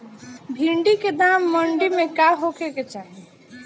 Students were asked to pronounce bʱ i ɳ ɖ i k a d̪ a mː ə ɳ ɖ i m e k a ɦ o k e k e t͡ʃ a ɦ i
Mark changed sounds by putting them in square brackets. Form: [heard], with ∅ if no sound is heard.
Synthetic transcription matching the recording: bʱ i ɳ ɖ i k [e] d̪ a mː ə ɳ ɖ i m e k a ɦ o k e k e t͡ʃ a ɦ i